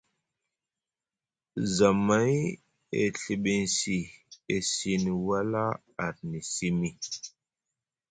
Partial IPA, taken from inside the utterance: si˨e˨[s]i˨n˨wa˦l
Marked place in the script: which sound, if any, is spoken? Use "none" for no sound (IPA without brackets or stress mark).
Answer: s